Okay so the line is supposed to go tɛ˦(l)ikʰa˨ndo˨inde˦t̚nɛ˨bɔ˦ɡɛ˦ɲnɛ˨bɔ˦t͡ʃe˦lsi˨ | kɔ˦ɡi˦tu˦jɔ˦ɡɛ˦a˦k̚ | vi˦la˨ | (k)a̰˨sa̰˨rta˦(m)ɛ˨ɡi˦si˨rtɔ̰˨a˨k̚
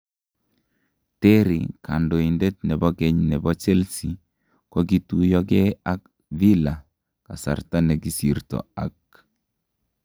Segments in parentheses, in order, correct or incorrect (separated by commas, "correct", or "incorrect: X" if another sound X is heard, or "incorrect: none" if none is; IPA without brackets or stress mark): incorrect: ɾ, correct, incorrect: n